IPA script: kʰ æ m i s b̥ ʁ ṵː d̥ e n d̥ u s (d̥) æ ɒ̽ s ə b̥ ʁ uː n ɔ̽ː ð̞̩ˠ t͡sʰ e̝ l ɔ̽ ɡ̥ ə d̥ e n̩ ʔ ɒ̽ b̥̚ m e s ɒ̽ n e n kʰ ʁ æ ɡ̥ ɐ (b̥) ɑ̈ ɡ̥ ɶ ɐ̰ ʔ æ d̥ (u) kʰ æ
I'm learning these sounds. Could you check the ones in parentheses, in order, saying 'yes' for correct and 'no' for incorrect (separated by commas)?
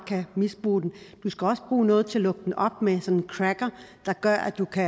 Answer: no, no, yes